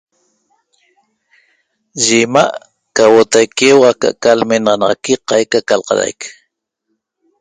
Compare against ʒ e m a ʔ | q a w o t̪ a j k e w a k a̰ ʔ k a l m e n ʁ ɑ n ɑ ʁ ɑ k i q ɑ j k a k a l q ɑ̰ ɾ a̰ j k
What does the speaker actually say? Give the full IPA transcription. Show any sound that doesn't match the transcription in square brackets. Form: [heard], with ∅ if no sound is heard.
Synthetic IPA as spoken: ʒ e m a ʔ | [k] a w o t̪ a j k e w a k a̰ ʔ k a l m e n ʁ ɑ n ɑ ʁ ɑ k i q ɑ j k a k a l q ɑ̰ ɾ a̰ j k